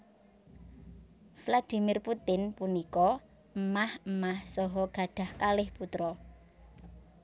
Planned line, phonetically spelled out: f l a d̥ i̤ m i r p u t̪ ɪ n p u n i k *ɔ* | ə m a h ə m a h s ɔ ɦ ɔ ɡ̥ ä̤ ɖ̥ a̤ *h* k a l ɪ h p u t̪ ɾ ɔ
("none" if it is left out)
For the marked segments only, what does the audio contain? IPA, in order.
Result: ɔ, h

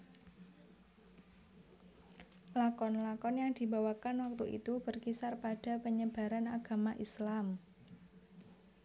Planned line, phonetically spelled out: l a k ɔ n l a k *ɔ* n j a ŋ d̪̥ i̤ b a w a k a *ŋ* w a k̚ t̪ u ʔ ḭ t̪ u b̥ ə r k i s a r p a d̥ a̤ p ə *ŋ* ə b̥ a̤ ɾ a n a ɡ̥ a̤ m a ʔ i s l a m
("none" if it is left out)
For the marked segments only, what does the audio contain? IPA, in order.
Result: ɔ, n, ɲ

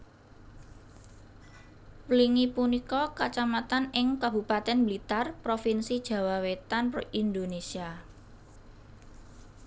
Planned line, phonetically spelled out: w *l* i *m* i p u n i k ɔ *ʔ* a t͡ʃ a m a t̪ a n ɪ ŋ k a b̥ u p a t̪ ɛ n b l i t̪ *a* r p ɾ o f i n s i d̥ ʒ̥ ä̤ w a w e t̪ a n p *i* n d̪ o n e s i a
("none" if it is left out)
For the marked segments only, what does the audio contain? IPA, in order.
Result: l, ŋ, k, a, i

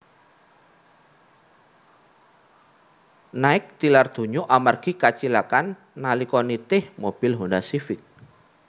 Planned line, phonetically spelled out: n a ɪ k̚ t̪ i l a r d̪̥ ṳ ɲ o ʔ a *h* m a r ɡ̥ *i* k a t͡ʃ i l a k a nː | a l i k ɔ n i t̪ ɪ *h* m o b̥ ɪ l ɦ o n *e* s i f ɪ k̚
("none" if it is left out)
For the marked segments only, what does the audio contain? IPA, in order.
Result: none, i, h, a

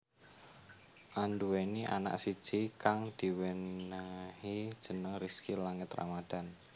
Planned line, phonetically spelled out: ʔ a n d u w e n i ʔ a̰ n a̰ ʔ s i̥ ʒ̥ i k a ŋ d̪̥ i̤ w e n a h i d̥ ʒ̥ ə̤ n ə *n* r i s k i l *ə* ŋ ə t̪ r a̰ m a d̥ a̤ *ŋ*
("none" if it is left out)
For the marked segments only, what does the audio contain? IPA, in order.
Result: ŋ, a, n

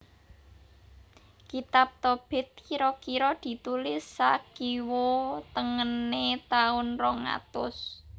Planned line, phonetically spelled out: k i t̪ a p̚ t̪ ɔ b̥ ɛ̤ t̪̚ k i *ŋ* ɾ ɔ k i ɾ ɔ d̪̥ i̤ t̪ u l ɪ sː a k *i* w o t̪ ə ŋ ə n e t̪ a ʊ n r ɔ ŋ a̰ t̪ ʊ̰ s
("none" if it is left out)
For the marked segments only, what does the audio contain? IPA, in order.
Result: none, i

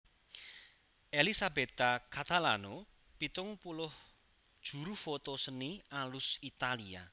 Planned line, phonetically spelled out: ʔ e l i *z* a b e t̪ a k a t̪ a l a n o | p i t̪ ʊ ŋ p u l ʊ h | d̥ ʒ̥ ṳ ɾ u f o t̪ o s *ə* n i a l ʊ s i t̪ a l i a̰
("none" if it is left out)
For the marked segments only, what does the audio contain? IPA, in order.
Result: s, ə

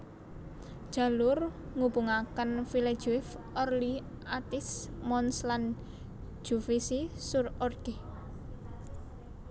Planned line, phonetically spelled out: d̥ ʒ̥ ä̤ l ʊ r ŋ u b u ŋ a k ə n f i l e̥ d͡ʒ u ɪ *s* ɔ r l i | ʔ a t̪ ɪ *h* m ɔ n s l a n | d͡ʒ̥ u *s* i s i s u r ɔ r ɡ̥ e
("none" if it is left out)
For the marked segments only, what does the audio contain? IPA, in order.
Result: f, s, f

